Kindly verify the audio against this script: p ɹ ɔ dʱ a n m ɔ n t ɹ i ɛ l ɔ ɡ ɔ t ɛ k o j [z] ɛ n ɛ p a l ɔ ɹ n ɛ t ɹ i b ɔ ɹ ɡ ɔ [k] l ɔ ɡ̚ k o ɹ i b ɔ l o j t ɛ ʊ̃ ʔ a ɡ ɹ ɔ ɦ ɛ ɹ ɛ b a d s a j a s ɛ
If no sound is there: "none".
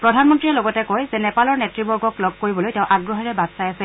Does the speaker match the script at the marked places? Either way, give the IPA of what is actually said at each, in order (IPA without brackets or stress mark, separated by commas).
z, k